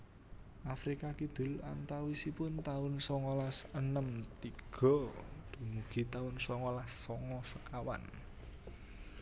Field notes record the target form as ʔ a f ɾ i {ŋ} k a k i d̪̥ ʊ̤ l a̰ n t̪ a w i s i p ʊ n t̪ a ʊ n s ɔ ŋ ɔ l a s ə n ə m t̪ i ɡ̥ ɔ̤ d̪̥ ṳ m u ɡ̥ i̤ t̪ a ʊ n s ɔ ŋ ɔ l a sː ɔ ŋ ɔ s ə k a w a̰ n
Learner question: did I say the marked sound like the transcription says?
no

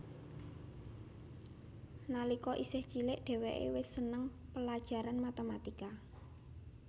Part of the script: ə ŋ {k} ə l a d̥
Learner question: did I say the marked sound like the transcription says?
no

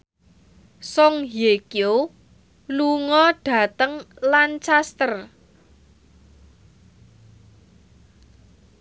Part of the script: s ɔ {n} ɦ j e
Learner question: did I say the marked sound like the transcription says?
no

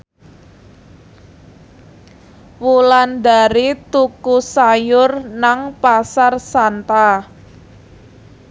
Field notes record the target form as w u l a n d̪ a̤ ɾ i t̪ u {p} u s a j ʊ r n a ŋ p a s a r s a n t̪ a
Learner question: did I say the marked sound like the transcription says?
no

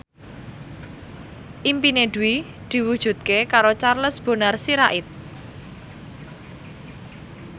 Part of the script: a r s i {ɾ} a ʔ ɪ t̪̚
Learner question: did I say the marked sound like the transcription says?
yes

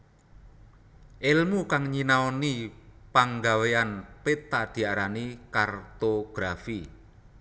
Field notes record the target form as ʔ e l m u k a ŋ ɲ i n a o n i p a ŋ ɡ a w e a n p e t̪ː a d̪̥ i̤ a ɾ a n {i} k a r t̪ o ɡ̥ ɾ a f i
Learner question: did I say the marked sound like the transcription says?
yes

